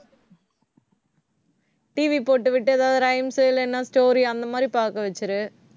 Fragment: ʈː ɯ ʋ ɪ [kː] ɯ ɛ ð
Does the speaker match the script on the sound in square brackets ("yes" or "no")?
no